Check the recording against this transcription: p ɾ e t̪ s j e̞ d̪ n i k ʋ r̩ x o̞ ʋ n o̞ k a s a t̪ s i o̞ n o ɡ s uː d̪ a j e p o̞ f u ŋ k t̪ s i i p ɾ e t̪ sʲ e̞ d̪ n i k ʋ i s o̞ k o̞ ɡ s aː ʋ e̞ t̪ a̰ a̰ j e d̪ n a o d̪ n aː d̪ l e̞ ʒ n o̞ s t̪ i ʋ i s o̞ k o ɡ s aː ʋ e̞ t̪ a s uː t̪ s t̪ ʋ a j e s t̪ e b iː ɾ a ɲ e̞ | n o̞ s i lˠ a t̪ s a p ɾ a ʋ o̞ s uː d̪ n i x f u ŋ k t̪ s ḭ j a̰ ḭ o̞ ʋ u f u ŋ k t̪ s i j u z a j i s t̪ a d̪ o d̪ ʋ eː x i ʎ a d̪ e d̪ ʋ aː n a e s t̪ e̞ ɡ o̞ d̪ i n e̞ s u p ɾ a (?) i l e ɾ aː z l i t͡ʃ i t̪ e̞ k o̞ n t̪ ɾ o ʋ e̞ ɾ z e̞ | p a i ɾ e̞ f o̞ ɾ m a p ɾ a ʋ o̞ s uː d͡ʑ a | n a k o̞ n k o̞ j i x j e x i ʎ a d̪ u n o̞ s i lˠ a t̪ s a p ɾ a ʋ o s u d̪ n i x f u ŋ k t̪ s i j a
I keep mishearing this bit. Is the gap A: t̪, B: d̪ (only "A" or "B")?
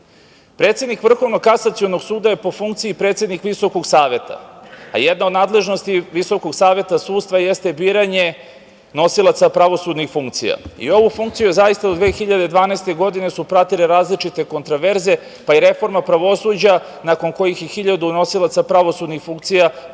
A